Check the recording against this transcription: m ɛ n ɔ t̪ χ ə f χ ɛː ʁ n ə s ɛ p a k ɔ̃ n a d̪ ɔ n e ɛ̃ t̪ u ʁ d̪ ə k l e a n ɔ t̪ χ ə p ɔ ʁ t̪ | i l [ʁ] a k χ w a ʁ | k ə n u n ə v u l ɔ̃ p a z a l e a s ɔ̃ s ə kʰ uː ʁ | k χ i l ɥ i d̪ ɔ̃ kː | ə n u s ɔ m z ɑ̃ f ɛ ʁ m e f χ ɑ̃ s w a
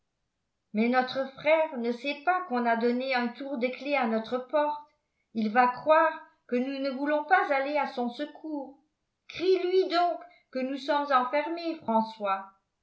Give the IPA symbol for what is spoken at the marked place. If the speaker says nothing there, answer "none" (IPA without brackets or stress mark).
v